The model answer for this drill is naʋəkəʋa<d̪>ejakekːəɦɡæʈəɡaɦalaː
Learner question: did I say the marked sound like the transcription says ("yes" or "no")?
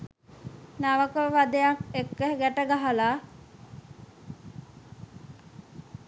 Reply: yes